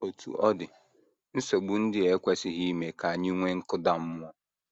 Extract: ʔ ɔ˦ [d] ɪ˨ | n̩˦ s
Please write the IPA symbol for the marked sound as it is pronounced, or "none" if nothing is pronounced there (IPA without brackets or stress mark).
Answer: d